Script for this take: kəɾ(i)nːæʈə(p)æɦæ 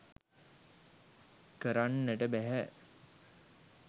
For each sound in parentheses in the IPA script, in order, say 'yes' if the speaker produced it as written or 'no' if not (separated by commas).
no, no